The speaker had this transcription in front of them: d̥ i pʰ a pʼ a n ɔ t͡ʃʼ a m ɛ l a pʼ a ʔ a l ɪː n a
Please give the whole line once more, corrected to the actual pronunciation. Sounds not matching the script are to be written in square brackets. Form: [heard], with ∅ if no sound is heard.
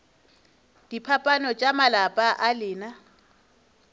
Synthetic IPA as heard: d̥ i pʰ a pʼ a n ɔ t͡ʃʼ a m [a] l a pʼ a ʔ a l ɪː n a